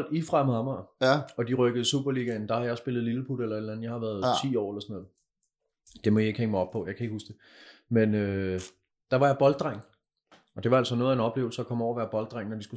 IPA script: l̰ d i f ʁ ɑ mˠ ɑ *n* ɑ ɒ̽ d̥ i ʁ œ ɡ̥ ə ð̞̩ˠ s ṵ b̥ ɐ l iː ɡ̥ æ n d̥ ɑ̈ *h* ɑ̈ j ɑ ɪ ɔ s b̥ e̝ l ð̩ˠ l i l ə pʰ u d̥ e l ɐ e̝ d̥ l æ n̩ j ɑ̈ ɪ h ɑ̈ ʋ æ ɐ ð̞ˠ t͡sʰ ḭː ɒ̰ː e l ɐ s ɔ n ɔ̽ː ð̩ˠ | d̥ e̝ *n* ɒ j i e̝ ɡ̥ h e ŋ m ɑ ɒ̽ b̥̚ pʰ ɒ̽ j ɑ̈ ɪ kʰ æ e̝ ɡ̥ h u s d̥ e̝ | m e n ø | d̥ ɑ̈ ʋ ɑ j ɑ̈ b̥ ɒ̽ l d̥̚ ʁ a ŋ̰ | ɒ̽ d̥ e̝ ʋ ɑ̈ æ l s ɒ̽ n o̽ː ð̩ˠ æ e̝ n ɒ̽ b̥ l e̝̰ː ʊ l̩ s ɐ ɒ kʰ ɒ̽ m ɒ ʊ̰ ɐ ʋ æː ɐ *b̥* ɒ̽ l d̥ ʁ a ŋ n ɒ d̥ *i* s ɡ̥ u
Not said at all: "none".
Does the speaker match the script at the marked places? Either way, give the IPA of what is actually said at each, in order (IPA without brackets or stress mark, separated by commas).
m, h, m, b̥, i